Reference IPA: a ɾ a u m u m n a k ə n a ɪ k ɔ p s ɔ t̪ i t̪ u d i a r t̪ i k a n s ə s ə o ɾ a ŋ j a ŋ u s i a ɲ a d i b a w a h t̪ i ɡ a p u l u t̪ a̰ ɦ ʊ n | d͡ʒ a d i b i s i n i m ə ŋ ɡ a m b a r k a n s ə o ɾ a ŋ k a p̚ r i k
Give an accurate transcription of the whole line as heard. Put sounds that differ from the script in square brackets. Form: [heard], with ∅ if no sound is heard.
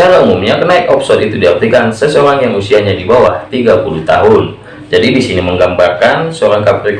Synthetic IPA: a ɾ a u m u m [ɲ] a k ə n a ɪ k ɔ p s ɔ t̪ i t̪ u d i a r t̪ i k a n s ə s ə o ɾ a ŋ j a ŋ u s i a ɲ a d i b a w a h t̪ i ɡ a p u l u t̪ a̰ ɦ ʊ n | d͡ʒ a d i b i s i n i m ə ŋ ɡ a m b a r k a n s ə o ɾ a ŋ k a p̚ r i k